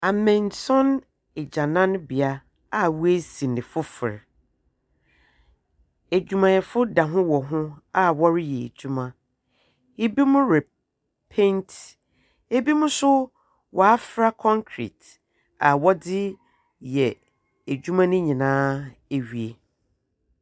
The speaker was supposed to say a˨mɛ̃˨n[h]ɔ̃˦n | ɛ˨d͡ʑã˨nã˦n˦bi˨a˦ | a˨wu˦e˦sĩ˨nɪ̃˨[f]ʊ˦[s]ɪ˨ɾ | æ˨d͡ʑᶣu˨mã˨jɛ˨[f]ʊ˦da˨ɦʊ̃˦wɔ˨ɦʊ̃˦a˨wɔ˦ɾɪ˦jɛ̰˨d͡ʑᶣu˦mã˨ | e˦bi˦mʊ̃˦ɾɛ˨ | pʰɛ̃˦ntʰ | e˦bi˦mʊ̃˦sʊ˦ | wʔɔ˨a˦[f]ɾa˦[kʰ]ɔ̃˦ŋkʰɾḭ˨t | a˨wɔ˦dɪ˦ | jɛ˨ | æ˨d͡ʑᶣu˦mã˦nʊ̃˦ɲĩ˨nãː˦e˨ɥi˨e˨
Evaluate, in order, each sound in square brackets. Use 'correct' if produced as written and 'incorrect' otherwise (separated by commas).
incorrect, correct, incorrect, correct, correct, correct